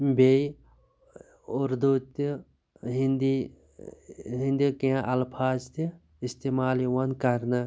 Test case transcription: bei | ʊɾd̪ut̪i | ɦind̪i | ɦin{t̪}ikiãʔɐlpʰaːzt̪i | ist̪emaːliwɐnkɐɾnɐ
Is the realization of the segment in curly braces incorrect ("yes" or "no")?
yes